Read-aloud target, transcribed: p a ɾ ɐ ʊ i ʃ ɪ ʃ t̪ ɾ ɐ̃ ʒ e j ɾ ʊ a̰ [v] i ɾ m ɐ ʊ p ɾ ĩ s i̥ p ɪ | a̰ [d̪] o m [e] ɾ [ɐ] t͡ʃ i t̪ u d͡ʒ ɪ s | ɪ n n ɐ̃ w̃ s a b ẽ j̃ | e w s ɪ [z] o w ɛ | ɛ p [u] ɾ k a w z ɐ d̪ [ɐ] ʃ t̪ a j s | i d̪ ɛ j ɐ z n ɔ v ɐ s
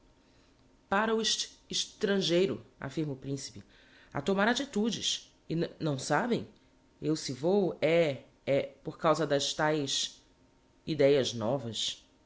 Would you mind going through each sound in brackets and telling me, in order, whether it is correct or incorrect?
incorrect, incorrect, incorrect, incorrect, incorrect, incorrect, correct

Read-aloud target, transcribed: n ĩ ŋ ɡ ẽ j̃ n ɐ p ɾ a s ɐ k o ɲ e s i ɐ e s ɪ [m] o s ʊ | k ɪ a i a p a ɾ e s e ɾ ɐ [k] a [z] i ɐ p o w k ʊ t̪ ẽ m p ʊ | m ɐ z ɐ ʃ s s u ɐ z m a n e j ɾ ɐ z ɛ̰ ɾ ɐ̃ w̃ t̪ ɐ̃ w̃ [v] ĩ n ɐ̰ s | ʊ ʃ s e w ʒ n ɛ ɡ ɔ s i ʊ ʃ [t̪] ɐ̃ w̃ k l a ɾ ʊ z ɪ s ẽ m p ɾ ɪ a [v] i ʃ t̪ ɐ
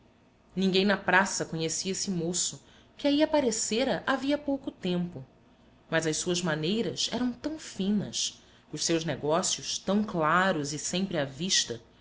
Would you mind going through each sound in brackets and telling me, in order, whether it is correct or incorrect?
correct, incorrect, incorrect, incorrect, correct, correct

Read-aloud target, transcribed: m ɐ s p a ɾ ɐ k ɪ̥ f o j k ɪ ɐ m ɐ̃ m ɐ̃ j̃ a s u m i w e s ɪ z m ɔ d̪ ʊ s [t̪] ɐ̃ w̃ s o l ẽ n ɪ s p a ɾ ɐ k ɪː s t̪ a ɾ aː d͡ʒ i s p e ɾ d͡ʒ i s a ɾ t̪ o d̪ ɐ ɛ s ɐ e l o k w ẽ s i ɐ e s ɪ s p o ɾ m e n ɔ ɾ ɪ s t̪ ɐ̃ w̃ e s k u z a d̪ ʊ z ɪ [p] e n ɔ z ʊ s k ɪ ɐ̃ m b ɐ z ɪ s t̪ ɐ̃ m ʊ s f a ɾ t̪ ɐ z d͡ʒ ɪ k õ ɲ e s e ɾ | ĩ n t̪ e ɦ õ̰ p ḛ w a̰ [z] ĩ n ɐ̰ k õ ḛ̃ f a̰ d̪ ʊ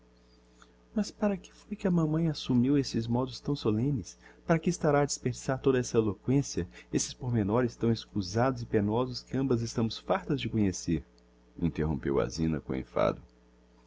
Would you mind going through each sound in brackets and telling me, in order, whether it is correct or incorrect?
correct, correct, correct

